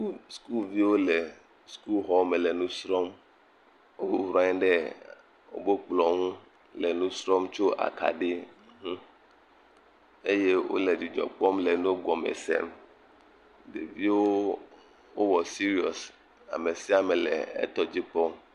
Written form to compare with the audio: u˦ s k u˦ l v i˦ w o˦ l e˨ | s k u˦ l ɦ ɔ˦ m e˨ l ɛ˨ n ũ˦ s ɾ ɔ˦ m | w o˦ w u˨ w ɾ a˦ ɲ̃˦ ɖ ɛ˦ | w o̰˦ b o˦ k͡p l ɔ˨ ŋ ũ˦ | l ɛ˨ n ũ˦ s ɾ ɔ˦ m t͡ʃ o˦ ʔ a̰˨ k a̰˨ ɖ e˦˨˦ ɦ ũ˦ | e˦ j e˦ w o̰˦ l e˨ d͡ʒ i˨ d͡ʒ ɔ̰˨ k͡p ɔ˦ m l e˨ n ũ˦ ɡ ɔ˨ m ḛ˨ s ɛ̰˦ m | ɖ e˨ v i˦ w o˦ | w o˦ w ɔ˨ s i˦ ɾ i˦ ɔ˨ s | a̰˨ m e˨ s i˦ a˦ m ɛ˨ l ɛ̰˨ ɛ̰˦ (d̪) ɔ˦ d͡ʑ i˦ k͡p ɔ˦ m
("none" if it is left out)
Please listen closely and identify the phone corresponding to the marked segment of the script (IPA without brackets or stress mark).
t̪